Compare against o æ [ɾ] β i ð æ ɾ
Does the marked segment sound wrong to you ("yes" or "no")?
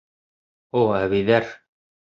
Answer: yes